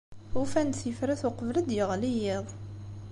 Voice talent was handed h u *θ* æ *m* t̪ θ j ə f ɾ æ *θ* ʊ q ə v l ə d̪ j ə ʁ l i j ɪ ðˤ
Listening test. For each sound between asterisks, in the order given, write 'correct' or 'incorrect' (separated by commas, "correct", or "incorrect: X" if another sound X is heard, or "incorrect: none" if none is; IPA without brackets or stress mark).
incorrect: f, incorrect: n, correct